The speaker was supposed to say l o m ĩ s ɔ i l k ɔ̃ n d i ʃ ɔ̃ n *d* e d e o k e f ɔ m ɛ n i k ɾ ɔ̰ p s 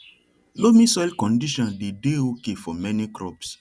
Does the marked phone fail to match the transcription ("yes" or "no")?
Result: no